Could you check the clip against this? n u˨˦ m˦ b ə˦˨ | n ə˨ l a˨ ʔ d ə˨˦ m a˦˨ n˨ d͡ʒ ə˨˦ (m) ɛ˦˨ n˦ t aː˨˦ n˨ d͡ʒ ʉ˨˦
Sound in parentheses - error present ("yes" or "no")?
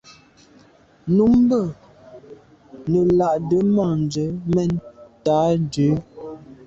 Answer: no